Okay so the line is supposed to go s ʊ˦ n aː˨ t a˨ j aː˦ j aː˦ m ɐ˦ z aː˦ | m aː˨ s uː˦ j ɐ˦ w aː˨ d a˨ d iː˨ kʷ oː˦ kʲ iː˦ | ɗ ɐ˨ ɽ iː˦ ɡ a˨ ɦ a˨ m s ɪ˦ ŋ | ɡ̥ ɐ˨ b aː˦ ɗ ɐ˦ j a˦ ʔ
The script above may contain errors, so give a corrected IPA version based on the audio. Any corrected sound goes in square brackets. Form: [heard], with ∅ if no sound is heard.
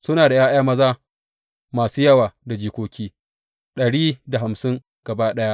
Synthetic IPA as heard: s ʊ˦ n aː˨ [d] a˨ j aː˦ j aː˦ m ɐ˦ z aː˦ | m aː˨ s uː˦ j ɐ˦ w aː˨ d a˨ [d͡ʒ] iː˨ kʷ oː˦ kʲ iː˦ | ɗ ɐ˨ ɽ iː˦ [d] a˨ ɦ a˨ m s ɪ˦ ŋ | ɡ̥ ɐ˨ b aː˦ ɗ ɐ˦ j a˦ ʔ